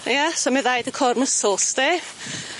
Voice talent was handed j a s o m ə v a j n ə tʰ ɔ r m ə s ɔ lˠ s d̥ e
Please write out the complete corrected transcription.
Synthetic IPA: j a s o m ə ð a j d ə kʰ ɔ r m ə s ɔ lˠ s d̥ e